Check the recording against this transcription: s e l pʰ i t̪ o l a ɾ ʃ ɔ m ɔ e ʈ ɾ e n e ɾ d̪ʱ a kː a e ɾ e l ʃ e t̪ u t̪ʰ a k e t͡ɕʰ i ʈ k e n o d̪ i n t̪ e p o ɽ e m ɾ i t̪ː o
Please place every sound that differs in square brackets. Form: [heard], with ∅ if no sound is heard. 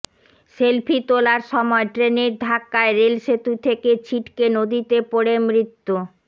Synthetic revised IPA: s e l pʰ i t̪ o l a ɾ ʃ ɔ m ɔ e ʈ ɾ e n e ɾ d̪ʱ a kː a e ɾ e l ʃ e t̪ u t̪ʰ [e] k e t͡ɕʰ i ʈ k e n o d̪ i [∅] t̪ e p o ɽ e m ɾ i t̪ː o